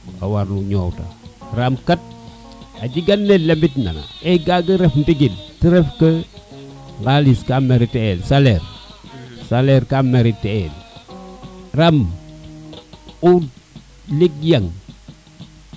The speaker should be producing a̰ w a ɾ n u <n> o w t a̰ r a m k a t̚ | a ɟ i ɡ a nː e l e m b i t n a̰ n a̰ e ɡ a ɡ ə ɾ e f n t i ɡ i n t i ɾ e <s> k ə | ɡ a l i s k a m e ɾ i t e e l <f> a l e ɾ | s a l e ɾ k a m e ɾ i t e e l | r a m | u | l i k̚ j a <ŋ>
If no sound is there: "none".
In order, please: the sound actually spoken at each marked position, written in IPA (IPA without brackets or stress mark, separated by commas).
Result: ɲ, f, s, ŋ